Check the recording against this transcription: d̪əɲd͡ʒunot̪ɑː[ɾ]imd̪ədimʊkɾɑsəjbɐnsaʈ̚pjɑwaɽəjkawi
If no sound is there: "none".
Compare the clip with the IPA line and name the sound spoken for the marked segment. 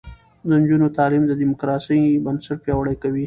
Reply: l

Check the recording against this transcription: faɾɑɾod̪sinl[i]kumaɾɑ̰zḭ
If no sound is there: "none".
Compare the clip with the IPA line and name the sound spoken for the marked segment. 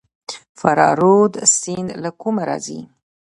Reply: a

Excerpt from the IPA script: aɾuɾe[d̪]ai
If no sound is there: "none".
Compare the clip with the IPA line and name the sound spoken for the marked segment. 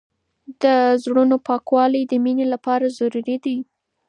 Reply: d̪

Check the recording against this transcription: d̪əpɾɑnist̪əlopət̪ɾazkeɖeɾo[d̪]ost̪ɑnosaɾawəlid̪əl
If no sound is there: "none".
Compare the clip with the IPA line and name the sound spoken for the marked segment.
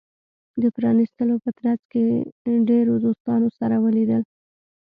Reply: d̪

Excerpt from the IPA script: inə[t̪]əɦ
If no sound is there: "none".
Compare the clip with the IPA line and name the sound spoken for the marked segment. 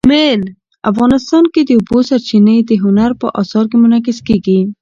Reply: d̪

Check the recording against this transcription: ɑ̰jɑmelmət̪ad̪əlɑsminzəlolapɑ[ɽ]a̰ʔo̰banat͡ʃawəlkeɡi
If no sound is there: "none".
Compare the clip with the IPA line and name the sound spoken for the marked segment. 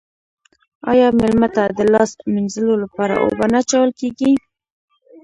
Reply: ɾ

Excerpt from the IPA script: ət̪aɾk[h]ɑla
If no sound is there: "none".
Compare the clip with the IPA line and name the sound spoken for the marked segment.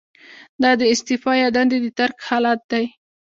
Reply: h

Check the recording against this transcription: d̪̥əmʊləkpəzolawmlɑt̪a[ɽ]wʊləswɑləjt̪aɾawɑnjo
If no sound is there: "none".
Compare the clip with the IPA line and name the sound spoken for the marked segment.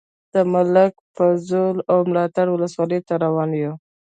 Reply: ɽ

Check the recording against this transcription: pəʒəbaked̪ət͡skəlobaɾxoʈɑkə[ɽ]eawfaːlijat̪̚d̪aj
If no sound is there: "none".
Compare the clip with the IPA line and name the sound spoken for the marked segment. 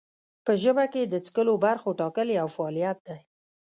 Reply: l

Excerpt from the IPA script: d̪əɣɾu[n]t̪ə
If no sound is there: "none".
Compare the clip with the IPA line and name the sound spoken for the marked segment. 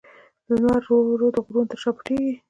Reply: n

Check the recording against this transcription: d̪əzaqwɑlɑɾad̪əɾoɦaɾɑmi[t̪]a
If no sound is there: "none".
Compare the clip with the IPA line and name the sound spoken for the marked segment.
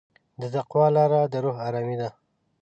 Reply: d̪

